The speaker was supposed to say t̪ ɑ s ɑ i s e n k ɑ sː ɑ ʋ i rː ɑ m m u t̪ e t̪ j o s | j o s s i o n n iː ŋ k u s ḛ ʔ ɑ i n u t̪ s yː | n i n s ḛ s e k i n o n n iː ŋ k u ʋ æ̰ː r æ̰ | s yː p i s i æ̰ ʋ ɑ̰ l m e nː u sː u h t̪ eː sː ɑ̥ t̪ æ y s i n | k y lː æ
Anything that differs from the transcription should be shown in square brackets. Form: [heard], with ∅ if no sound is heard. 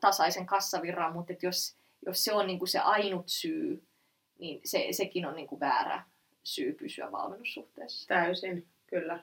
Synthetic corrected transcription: t̪ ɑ s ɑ i s e [ŋ] k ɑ sː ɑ ʋ i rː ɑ m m u t̪ e t̪ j o s | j o s s [e] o n n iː ŋ k u s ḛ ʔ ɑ i n u t̪ s yː | n i n s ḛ s e k i n o n n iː ŋ k u ʋ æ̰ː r æ̰ | s yː p [y] s [y] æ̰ ʋ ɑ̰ l m e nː u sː u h t̪ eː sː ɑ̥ t̪ æ y s i n | k y lː æ